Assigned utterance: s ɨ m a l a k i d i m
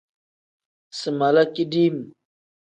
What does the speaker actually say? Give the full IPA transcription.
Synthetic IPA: s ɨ m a l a k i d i m